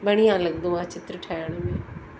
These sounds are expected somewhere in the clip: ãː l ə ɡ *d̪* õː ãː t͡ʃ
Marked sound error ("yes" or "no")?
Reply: no